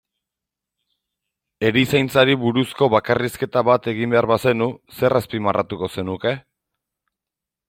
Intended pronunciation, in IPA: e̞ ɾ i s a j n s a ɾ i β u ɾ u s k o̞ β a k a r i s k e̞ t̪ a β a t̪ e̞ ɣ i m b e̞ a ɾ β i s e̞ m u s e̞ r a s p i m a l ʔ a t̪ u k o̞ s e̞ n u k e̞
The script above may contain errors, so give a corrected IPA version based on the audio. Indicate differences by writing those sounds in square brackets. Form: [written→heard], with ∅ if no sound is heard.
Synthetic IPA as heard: e̞ ɾ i s a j n [s→t͡s] a ɾ i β u ɾ u s k o̞ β a k a r i s k e̞ t̪ a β a t̪ e̞ ɣ i m b e̞ a ɾ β [i→a] s e̞ [m→n] u s e̞ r a s p i m a [l→r] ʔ a t̪ u k o̞ s e̞ n u k e̞